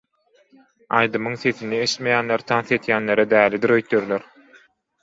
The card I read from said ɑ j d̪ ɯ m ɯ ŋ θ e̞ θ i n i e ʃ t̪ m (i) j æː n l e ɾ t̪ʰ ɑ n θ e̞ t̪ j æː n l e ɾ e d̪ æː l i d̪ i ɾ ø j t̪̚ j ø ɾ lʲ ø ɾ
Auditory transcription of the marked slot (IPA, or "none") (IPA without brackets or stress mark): e